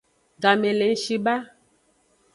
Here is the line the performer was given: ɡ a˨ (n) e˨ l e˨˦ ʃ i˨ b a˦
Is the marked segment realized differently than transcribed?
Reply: yes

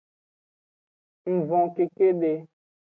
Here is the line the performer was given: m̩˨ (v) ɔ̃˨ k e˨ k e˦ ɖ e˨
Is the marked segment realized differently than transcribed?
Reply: no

